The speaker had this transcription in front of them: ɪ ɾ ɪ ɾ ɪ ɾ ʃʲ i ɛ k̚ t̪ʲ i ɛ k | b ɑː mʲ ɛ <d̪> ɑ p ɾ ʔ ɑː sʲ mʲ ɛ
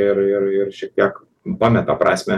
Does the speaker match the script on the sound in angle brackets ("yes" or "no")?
no